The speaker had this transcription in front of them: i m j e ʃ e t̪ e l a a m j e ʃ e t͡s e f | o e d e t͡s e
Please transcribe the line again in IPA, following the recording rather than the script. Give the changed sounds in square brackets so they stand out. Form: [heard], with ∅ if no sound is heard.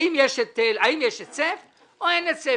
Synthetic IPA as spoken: i m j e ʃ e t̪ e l a [i] m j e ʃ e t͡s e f | o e [n] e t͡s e